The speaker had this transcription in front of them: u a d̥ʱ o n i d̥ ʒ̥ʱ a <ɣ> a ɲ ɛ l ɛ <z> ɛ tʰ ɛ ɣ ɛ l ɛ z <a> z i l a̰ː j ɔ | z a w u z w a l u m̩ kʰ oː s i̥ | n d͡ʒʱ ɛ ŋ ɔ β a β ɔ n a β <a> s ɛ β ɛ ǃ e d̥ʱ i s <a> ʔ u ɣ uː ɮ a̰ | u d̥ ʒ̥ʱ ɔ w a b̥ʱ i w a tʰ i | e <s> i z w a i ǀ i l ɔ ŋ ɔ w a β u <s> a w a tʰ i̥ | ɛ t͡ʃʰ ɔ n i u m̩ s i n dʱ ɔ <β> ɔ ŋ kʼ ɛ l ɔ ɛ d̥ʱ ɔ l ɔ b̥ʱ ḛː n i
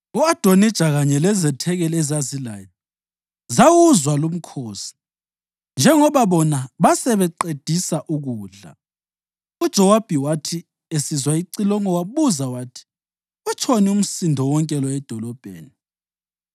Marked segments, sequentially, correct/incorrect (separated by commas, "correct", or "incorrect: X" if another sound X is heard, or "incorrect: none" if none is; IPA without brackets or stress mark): correct, correct, correct, correct, correct, correct, incorrect: z, incorrect: w